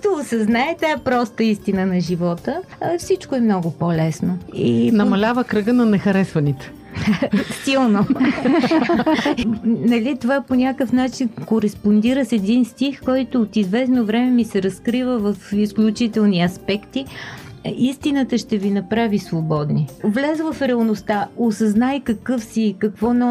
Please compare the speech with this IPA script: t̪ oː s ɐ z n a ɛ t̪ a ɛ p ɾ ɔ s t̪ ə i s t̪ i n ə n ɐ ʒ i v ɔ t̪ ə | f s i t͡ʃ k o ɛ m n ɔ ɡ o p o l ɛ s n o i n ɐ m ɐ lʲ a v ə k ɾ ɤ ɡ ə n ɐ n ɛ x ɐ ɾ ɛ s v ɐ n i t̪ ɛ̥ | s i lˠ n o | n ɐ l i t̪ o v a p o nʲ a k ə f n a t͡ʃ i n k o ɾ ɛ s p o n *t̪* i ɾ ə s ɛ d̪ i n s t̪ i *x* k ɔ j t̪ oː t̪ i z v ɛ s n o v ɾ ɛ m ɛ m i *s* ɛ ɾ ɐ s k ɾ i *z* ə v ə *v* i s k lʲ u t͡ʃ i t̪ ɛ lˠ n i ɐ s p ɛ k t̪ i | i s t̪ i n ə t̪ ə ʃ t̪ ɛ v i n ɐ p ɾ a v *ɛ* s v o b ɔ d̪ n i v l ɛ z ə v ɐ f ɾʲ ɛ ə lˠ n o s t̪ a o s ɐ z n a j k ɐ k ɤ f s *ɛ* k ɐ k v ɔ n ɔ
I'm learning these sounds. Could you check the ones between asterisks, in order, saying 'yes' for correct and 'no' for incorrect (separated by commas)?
no, yes, yes, no, no, no, no